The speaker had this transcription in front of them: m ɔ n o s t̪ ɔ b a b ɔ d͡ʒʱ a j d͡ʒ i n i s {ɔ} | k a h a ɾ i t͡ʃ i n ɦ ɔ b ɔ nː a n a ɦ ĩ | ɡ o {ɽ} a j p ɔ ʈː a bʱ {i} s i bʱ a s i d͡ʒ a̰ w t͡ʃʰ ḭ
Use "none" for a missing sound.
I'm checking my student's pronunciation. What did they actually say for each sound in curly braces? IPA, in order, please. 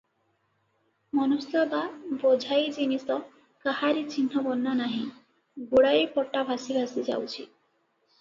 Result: ɔ, ɽ, a

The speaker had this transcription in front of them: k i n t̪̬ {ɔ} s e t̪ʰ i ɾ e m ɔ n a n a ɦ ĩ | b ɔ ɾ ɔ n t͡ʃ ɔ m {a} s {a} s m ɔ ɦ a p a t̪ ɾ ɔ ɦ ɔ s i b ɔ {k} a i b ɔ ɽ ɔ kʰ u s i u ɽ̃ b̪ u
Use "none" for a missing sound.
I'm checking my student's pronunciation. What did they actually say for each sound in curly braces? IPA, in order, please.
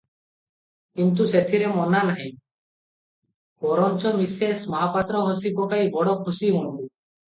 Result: u, i, e, k

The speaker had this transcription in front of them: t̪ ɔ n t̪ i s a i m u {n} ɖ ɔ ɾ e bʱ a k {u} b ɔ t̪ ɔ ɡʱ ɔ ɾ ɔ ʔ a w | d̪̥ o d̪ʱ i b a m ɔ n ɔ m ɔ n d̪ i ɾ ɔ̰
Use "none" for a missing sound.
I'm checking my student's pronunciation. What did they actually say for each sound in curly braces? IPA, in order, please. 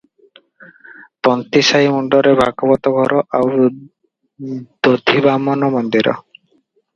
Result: ɳ, ɔ

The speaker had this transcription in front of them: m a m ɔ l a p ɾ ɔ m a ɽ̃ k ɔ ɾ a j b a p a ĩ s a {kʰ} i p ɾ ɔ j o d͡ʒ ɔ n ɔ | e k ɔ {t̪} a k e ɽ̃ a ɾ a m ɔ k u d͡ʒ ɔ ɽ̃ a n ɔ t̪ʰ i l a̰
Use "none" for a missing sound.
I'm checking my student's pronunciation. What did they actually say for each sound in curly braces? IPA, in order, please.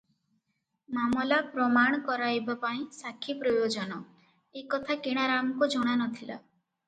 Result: kʰ, t̪ʰ

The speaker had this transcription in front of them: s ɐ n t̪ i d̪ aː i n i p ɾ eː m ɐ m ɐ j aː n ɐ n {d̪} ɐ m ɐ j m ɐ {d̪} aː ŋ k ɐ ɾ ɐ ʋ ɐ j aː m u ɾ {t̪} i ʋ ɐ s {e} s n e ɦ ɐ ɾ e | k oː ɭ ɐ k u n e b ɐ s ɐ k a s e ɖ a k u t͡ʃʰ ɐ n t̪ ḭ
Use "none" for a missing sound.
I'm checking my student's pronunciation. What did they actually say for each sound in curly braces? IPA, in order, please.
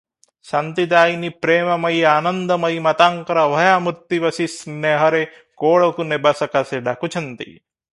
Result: d̪, t̪, t̪, i

